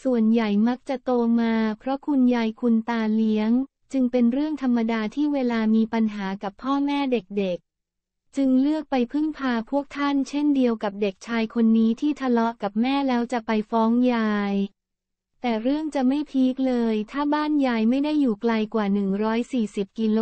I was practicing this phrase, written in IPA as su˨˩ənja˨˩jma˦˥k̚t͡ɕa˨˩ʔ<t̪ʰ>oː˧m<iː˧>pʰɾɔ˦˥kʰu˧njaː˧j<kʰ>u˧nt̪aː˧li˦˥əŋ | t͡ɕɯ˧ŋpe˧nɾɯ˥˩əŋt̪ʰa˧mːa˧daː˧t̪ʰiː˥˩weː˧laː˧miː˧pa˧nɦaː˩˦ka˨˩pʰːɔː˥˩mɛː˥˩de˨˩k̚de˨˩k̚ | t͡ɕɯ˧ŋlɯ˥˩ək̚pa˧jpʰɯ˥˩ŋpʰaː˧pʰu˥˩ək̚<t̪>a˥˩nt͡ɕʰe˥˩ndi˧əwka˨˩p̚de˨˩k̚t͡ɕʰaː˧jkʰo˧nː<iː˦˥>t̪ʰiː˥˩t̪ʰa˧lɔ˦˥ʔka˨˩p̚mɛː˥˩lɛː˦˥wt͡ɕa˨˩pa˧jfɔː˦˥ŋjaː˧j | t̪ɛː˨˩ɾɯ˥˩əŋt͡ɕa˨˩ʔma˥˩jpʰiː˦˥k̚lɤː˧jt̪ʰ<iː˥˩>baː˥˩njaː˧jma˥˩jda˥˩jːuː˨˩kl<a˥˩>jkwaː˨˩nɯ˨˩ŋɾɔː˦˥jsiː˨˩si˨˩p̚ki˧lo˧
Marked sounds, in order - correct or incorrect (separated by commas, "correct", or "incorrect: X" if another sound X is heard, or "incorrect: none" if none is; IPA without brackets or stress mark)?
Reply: incorrect: t̪, incorrect: aː˧, correct, incorrect: t̪ʰ, correct, incorrect: aː˥˩, incorrect: a˧